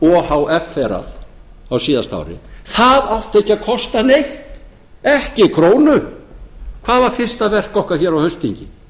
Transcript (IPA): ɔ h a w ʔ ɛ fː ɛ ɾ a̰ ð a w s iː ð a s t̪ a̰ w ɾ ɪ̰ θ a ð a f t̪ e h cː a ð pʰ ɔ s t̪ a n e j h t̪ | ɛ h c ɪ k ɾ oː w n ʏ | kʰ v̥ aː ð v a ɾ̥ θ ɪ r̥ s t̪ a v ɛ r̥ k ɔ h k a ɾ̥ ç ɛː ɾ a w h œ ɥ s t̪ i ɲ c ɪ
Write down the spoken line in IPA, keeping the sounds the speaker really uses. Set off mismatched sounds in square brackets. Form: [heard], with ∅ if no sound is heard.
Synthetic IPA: ɔ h a w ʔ ɛ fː ɛ ɾ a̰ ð a w s iː ð a s t̪ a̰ w ɾ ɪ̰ θ a ð a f t̪ e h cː a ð [kʰ] ɔ s t̪ a n e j h t̪ | ɛ h c ɪ [kʰ] ɾ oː w n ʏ | kʰ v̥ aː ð v a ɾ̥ [f] ɪ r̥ s t̪ a v ɛ r̥ k ɔ h k a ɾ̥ ç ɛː ɾ a w h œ ɥ s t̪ i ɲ c ɪ